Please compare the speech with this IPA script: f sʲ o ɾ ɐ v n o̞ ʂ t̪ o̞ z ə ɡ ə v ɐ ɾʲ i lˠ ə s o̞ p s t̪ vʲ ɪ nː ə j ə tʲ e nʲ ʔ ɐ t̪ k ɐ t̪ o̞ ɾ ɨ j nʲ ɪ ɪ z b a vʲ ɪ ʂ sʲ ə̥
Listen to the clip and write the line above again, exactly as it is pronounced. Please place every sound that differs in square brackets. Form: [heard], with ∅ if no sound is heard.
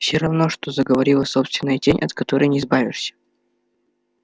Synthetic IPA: f sʲ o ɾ ɐ v n o̞ ʂ t̪ o̞ z ə ɡ ə v ɐ ɾʲ i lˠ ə s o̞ p s t̪ vʲ ɪ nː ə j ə tʲ e nʲ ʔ ɐ t̪ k ɐ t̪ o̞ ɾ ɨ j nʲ ɪ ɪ z b a vʲ ɪ ʂ sʲ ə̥